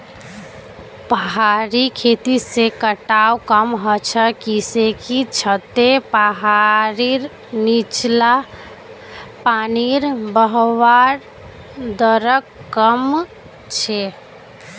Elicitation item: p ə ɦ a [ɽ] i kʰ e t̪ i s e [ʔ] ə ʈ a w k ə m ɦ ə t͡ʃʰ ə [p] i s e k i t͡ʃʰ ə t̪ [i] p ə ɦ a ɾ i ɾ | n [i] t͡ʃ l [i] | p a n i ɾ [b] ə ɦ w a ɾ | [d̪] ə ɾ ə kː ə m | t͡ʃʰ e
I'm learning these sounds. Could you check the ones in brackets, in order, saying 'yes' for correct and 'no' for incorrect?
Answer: no, no, no, no, yes, no, yes, yes

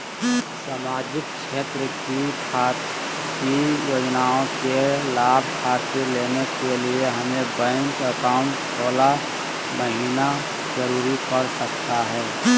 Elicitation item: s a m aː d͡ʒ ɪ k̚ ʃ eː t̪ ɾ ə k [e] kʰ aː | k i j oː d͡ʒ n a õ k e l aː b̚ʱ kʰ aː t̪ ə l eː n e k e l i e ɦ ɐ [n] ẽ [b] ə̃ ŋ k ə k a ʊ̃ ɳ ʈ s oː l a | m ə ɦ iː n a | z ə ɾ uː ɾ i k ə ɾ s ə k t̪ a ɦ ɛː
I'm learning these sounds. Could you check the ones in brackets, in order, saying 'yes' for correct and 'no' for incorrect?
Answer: no, no, yes

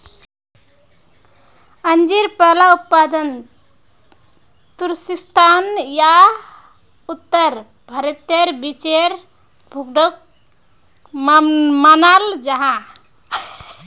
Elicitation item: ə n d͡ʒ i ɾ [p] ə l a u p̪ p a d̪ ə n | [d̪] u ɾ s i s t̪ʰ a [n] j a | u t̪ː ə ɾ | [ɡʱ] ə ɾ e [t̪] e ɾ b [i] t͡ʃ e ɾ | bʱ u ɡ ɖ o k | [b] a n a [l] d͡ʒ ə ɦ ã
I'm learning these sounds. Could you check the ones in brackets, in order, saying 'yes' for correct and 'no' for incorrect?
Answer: yes, no, yes, no, yes, yes, no, yes

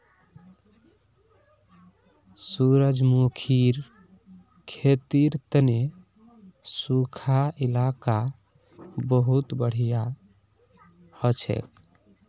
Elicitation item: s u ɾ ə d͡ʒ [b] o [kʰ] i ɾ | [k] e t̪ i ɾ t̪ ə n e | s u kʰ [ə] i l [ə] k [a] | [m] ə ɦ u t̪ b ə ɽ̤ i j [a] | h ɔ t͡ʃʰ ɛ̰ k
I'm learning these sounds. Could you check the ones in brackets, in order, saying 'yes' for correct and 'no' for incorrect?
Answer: no, yes, no, no, no, yes, no, yes

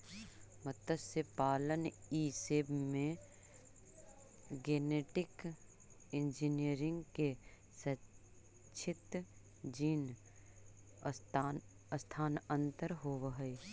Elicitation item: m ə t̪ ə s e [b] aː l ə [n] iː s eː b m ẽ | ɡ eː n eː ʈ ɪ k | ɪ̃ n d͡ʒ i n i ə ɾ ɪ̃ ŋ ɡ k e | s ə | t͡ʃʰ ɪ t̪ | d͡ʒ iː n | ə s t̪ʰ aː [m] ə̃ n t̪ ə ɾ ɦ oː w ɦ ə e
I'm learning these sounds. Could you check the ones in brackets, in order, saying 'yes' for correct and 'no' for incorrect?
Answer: no, yes, no

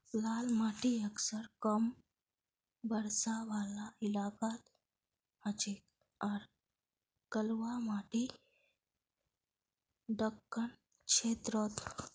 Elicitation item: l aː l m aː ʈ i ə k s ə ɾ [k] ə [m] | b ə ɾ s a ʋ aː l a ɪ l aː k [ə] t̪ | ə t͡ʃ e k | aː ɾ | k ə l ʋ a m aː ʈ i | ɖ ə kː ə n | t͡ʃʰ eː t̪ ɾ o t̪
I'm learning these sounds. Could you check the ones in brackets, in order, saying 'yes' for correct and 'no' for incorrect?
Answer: yes, yes, no

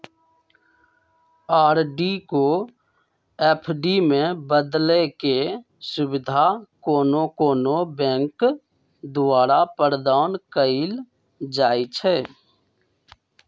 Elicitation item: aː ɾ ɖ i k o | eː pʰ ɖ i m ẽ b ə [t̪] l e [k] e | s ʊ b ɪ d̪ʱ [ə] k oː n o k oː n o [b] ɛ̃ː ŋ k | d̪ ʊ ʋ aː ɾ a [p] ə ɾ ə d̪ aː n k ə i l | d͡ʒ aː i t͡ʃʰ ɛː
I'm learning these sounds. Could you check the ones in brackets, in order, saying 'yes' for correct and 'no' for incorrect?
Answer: no, yes, no, yes, yes

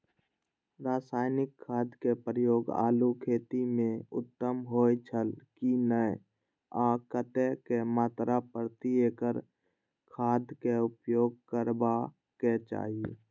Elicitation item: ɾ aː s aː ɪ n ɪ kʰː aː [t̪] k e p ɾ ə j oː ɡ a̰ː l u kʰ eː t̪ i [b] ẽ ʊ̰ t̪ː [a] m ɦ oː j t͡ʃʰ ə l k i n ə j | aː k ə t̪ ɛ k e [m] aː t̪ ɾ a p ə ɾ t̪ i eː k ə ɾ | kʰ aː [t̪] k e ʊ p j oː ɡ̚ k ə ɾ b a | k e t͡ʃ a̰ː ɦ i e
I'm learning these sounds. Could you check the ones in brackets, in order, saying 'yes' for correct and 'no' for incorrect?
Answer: no, no, no, yes, no

